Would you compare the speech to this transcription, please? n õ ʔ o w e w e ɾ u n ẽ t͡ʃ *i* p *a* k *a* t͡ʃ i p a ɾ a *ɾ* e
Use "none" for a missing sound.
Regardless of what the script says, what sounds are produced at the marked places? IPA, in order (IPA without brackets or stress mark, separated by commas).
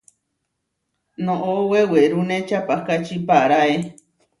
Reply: a, a, a, none